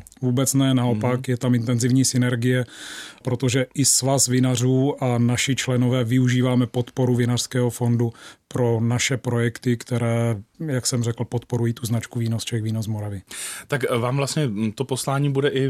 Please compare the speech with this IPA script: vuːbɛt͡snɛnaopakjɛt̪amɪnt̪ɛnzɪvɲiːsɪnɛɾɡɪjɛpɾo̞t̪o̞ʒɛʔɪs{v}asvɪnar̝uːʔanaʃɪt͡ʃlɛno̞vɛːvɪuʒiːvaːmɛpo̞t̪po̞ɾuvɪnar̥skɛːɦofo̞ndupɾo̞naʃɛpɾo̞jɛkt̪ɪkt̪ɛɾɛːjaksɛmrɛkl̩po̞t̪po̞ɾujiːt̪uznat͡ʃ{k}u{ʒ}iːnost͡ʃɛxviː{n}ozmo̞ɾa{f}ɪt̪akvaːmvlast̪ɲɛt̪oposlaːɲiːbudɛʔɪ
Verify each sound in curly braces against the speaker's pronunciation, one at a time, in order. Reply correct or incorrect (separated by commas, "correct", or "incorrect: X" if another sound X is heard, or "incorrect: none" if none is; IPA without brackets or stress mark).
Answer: correct, correct, incorrect: v, correct, incorrect: v